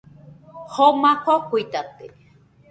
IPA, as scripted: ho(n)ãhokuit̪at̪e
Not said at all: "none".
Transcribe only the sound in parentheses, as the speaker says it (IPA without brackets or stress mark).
m